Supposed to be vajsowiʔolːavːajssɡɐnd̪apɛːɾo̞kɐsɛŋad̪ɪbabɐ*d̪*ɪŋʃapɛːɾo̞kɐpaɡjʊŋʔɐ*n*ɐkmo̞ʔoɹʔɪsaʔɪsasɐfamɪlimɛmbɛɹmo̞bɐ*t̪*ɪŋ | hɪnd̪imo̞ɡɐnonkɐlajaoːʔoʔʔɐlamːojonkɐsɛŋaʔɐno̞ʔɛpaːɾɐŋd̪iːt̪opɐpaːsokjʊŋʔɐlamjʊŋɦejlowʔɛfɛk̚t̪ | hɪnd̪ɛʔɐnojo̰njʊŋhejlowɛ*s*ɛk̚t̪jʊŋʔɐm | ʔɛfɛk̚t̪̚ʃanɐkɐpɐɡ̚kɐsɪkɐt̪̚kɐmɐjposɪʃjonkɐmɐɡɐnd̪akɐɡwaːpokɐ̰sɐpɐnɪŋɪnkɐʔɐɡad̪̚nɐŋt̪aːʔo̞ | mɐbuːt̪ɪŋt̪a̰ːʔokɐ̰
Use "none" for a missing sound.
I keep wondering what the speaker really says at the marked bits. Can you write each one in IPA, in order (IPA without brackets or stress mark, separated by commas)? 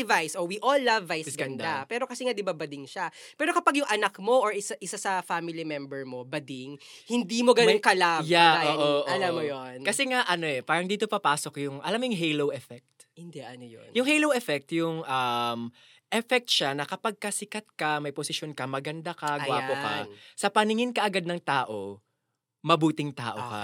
d̪, n, d̪, f